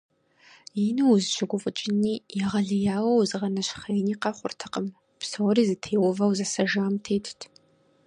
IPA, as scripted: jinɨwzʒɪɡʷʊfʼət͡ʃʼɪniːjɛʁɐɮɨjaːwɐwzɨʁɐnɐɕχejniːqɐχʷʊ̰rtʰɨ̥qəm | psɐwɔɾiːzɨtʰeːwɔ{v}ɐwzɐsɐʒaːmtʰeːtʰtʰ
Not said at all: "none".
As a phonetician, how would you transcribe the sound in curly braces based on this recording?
v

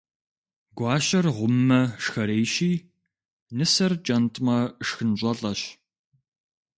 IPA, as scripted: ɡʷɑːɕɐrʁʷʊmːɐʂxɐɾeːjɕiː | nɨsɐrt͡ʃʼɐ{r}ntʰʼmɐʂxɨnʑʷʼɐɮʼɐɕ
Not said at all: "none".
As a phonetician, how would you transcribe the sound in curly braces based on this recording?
none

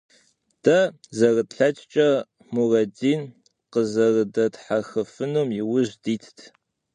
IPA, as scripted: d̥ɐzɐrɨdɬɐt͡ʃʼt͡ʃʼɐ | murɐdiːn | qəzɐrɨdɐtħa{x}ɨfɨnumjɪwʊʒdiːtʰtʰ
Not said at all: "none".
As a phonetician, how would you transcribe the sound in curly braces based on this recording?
x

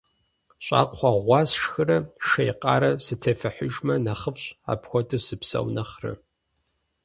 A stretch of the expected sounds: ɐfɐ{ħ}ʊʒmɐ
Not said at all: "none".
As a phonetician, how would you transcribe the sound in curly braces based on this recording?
ħ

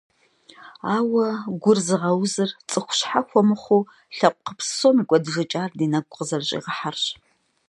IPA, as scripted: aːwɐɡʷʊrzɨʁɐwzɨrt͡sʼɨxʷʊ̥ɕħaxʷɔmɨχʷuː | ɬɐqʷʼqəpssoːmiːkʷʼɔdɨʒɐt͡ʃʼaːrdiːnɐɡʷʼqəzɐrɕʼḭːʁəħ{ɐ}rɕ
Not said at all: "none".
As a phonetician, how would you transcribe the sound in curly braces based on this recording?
a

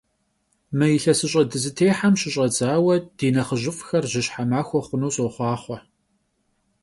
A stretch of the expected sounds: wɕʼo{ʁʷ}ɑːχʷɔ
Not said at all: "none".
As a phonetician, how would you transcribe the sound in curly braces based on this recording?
χʷ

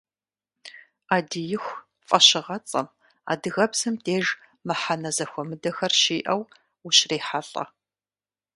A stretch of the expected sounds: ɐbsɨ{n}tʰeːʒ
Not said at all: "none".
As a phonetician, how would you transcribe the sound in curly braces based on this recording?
m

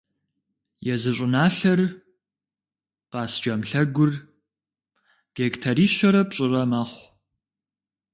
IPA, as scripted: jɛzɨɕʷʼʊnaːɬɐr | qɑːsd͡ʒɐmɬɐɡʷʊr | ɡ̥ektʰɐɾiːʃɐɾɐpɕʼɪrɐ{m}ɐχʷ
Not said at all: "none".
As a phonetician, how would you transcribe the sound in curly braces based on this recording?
m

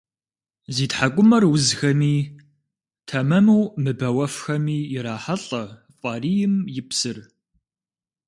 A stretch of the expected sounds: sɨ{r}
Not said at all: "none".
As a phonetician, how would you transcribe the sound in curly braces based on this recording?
r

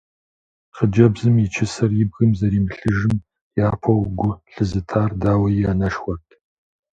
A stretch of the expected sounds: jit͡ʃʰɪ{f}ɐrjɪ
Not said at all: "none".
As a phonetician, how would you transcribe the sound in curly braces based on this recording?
s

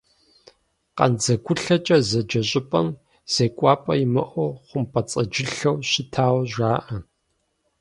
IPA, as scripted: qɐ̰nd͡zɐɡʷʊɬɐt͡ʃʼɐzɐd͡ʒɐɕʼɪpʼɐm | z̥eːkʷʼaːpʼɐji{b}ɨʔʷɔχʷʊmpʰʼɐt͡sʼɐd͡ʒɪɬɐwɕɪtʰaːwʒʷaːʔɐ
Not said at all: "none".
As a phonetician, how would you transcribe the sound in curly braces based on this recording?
m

